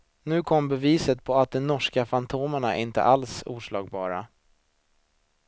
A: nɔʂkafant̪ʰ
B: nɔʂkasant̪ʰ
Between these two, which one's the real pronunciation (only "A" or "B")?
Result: A